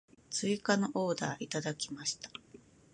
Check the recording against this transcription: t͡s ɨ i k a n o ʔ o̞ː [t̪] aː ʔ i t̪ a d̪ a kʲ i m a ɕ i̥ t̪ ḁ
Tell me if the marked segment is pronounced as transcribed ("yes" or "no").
no